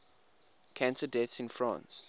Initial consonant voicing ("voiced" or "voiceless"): voiceless